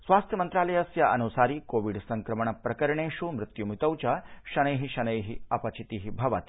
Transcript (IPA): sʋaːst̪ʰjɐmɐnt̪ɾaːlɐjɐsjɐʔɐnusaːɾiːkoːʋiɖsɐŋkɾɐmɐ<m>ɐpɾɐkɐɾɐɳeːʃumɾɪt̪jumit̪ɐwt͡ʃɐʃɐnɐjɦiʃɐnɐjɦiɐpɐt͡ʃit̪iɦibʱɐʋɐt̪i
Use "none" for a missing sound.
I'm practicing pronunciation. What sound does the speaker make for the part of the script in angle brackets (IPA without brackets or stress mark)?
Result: ɳ